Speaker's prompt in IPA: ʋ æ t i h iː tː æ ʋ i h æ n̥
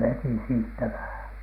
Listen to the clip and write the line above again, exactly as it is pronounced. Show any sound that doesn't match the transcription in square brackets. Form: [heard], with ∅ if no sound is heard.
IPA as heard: ʋ [e] t i [s] iː tː æ ʋ [æ] h æ n̥

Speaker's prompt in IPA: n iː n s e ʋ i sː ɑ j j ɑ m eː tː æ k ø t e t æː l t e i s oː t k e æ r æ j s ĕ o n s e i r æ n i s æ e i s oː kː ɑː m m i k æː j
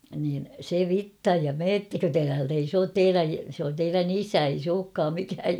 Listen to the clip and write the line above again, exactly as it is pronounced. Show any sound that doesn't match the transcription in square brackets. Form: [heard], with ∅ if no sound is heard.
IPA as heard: n iː n s e ʋ i [tː] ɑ j j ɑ m eː tː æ k ø t e t æː l t e i s oː t [t] e [i] r æ j s ĕ o n [t] e i r æ n i s æ e i s oː kː ɑː m m i k æː j

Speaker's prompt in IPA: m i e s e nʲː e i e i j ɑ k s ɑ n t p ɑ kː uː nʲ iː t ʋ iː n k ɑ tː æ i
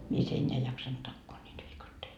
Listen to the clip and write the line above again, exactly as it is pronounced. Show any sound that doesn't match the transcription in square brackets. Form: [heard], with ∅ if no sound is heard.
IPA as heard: m i e s e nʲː e [æ] e i j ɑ k s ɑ n t [t] ɑ kː [oː] nʲ iː t ʋ iː [∅] k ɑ tː [e] i

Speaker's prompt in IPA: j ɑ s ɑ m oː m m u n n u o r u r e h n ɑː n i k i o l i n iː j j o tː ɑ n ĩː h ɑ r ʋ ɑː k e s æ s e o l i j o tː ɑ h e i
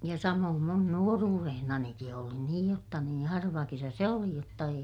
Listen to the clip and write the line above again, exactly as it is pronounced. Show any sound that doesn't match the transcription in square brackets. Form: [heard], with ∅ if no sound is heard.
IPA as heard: j ɑ s ɑ m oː m m u n n u o r [uː] r e h n [ɑ] n i k i o l i n iː j j o tː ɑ n ĩː h ɑ r ʋ [ɑ] k e s æ s e o l i j o tː ɑ [∅] e i

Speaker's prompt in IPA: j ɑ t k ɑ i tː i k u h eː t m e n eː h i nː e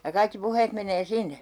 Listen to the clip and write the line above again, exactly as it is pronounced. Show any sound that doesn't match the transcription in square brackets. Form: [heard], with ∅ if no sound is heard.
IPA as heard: j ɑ [∅] k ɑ i [kː] i [p] u h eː t m e n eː [s] i nː e

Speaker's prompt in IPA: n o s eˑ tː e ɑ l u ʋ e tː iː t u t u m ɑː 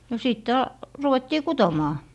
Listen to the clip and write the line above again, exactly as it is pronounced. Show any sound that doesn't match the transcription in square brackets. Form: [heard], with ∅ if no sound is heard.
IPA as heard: n o s [iˑ] tː e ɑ [r] u ʋ e tː iː [k] u t [o] m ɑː

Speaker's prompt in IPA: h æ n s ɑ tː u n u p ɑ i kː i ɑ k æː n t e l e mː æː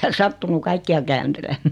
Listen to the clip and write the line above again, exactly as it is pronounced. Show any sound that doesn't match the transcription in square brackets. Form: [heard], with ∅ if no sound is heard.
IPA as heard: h æ n s ɑ tː u n u [k] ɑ i kː i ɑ k æː n t e l e mː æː

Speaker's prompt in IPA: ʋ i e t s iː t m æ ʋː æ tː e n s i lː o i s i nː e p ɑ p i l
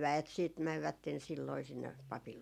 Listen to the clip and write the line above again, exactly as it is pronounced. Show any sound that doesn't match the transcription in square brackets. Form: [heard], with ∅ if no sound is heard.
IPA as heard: ʋ [æ] e t s iː t m æ ʋː æ tː e n s i lː o i s i nː e p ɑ p i l

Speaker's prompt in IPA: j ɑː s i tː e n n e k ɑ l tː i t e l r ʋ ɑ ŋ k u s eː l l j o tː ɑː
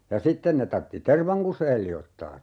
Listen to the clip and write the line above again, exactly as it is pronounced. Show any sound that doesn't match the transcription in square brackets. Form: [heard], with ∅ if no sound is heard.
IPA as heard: j [ɑ] s i tː e n n e [t] ɑ [r] tː i t e [∅] r ʋ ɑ ŋ k u s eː l l [i] o tː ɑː

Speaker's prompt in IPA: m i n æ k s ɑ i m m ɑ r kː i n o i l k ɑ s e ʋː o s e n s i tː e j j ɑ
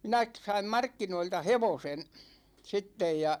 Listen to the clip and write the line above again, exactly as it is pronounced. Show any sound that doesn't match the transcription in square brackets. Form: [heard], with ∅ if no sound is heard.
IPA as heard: m i n æ k s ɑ i m m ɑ r kː i n o i l [t] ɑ [h] e [ʋ] o s e n s i tː e j j ɑ

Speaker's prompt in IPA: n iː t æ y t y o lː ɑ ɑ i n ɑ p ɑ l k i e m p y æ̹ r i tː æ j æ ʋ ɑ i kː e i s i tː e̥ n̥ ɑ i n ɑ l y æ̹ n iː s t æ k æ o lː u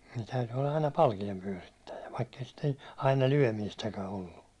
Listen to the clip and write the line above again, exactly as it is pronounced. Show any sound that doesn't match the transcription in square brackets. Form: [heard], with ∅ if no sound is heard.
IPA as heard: n iː t æ y t y o lː ɑ ɑ i n ɑ p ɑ l k i e m p y æ̹ r i tː æ j æ ʋ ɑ i kː e i s i tː e̥ n̥ ɑ i n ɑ l y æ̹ [m] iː s t æ k æ o lː u

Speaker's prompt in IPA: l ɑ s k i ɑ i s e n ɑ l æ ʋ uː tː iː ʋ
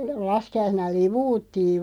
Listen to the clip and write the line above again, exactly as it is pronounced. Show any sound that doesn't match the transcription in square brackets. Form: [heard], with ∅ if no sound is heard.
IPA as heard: l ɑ s k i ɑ i s e n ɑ l [i] ʋ uː tː iː ʋ

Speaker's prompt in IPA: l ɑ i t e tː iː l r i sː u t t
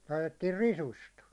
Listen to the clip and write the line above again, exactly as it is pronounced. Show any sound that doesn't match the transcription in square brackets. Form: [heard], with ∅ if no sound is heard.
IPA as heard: l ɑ i t e tː iː [r] r i [s] u [s] t

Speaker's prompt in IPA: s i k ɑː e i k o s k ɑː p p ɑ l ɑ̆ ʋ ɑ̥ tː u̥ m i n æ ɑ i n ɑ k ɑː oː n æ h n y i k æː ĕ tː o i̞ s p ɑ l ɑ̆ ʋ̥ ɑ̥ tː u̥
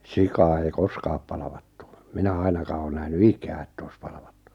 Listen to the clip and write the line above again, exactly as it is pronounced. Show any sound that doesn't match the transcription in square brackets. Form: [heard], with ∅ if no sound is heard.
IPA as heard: s i k ɑː e i k o s k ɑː p p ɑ l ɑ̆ ʋ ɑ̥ tː u̥ m i n æ ɑ i n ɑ k ɑː oː n æ h n y i k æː ĕ tː o i̞ s p ɑ l ɑ̆ ʋ̥ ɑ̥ tː u̥

